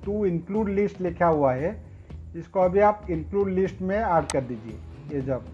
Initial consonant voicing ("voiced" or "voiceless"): voiceless